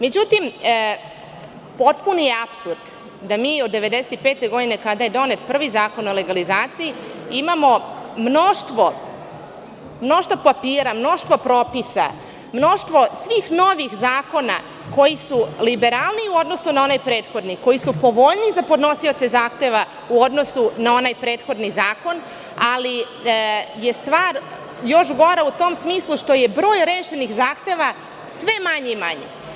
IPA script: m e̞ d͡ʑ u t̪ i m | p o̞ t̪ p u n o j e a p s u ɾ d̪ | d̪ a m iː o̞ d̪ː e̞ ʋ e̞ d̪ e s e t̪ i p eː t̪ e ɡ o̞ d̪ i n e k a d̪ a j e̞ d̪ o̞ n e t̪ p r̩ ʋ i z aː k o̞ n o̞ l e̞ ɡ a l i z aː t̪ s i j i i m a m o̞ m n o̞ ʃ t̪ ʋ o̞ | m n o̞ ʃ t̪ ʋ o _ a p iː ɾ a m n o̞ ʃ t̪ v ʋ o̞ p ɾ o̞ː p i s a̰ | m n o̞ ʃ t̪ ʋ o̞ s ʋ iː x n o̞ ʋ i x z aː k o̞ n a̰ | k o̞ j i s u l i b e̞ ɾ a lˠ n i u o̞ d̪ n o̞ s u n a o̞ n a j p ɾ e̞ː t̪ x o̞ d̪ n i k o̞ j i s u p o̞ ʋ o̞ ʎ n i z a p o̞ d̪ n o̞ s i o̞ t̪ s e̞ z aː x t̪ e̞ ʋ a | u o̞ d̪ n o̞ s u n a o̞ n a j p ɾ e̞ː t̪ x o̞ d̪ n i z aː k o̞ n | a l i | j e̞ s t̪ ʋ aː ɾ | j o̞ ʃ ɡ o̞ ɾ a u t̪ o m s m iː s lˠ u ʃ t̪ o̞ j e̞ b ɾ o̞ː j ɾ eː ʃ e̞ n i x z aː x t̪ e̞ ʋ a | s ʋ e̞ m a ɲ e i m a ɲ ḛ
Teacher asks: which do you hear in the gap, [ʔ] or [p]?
p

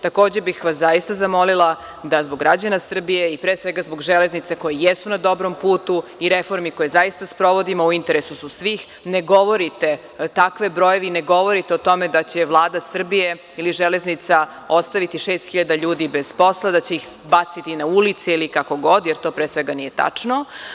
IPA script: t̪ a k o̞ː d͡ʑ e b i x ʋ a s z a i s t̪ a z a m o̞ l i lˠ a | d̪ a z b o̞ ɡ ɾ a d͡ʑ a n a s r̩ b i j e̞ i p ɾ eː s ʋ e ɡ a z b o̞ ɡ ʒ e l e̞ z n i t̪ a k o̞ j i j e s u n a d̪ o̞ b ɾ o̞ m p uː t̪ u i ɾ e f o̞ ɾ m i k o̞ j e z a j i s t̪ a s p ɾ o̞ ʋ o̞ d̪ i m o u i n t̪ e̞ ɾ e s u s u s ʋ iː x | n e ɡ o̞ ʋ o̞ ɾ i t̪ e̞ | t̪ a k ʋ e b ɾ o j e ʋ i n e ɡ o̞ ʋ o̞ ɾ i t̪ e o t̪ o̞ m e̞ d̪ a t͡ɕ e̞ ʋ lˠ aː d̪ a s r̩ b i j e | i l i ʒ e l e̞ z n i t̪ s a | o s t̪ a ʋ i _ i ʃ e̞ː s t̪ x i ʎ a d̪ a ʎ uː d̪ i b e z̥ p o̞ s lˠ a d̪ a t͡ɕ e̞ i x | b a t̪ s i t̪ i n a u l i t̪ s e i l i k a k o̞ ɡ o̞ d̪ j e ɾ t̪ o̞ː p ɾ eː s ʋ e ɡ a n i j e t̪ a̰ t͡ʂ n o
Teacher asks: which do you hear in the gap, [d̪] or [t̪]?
t̪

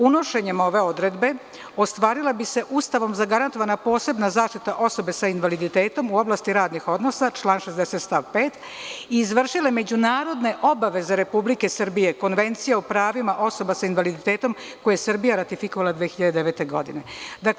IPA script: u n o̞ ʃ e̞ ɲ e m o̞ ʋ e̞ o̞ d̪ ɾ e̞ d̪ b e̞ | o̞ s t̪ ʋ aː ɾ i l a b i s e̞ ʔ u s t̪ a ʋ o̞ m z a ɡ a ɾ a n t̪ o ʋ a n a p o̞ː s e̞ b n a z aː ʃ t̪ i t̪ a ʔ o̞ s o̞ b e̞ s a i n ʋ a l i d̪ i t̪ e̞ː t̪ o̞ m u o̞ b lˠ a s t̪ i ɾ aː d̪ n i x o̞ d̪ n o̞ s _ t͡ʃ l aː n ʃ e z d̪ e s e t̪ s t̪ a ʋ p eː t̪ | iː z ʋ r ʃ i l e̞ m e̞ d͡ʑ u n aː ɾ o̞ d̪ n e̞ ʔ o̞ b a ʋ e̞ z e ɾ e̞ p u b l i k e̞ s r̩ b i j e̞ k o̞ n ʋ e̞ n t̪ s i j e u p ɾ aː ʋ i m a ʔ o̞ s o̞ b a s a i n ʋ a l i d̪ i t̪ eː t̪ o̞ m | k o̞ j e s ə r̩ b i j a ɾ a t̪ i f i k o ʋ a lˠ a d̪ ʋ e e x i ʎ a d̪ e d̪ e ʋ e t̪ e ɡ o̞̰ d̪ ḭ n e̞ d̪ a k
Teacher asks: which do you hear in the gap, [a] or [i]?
a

